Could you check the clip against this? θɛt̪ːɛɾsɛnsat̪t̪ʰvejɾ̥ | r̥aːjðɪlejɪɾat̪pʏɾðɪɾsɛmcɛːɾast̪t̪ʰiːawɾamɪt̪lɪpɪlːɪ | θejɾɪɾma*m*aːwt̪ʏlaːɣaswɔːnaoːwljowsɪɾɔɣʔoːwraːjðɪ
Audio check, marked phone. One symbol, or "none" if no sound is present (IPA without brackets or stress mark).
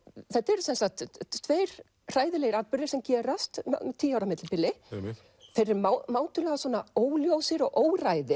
m